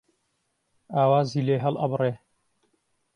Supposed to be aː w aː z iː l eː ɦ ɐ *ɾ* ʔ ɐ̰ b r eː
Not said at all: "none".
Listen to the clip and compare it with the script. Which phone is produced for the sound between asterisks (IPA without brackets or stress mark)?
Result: l